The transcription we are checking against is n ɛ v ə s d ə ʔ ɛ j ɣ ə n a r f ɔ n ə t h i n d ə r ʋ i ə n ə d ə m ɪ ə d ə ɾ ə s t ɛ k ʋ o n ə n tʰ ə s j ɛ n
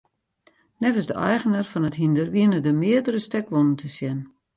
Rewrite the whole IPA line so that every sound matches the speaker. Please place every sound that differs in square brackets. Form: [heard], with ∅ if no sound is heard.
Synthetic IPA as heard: n ɛ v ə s d ə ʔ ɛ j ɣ ə n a r f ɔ n ə t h i n d ə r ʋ i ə n ə d ə m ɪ ə d ə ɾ ə s t ɛ k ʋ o n ə n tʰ ə s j ɛ n